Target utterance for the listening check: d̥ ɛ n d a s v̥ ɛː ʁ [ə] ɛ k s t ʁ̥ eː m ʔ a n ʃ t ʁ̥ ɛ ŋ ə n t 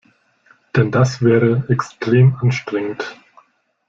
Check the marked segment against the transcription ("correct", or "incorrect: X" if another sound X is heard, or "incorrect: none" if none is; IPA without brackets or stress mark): correct